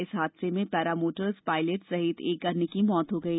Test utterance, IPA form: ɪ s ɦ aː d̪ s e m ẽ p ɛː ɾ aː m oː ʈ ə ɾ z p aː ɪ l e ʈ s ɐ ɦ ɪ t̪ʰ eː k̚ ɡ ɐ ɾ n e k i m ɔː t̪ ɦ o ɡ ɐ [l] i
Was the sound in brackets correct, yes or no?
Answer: no